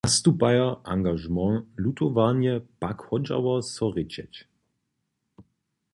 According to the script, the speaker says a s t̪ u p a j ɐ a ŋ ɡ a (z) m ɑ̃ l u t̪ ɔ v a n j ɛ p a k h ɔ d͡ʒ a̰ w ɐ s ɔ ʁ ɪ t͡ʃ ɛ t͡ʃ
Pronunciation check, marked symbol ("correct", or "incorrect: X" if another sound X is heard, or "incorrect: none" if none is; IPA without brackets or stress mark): incorrect: ʒ